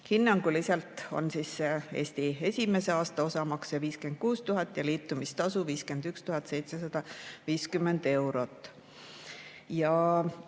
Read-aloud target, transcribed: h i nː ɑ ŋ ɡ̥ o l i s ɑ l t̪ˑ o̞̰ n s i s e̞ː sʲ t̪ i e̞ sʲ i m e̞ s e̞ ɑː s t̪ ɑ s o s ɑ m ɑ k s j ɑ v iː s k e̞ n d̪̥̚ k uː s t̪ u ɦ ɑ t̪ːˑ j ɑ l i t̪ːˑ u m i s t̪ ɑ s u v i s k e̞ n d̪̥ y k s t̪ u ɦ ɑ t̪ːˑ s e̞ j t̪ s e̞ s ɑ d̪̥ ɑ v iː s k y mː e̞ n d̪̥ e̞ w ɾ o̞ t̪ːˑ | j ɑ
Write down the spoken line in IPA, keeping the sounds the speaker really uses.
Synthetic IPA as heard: h i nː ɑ ŋ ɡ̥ u l i s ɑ l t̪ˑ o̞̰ n s i s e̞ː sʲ t̪ i e̞ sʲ i m e̞ s e̞ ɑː s t̪ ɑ o s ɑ m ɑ k s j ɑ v iː s k e̞ n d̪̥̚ k uː s t̪ u ɦ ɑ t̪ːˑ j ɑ l iː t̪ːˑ u m i s t̪ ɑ s u v iː s k e̞ n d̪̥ y k s t̪ u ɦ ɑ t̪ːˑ s e̞ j t̪ s e̞ s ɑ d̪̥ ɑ v iː s k y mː e̞ n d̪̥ e̞ w ɾ o̞ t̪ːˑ | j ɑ